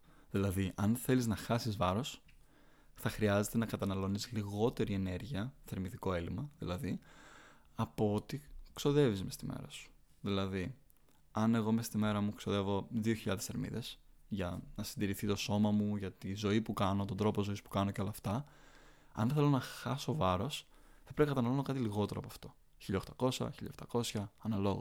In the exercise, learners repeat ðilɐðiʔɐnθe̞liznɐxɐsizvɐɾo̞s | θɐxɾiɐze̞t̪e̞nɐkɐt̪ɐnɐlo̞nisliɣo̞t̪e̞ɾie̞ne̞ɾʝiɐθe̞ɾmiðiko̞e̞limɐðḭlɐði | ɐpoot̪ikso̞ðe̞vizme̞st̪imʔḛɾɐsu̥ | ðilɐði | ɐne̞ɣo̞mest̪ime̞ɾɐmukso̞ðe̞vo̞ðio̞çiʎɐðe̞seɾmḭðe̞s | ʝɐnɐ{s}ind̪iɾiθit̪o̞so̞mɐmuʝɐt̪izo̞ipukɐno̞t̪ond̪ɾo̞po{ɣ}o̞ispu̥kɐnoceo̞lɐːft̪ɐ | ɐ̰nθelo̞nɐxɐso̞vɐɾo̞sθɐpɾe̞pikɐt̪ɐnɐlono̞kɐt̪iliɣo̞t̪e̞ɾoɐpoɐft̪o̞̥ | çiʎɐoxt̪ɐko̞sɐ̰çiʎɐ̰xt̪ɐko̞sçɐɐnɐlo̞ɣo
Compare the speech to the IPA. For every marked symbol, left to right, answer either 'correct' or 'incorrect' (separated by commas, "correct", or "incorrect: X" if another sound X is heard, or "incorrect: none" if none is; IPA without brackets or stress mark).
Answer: correct, incorrect: z